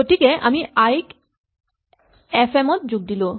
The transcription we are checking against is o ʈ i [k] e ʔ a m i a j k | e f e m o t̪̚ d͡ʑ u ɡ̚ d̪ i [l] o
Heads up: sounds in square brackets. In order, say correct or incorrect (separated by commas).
correct, correct